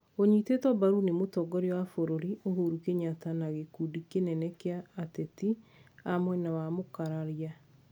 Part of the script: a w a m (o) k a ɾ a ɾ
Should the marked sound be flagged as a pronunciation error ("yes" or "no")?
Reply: no